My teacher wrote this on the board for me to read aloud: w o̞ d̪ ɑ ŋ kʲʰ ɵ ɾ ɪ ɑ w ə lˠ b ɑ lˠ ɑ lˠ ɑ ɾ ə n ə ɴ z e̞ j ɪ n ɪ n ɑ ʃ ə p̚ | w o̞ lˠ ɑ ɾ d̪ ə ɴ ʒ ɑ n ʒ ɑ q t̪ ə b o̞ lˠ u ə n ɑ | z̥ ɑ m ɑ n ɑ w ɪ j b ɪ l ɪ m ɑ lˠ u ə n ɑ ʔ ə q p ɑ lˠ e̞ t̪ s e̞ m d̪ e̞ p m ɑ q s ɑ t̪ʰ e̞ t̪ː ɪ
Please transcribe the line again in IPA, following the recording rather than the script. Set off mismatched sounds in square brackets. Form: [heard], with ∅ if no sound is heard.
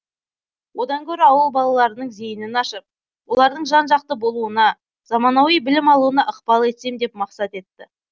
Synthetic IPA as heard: w o̞ d̪ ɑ ŋ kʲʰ ɵ ɾ ɪ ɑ w ə lˠ b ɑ lˠ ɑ lˠ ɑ ɾ ə n ə ɴ z e̞ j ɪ n ɪ n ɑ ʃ ə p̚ | w o̞ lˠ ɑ ɾ d̪ ə ɴ ʒ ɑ n ʒ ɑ q t̪ ə b o̞ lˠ u ə n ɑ | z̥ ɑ m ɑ n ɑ w [i] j b ɪ l ɪ m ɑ lˠ u ə n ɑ ʔ ə q p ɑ lˠ e̞ t̪ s e̞ m d̪ e̞ p m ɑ q s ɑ [t̪] e̞ t̪ː ɪ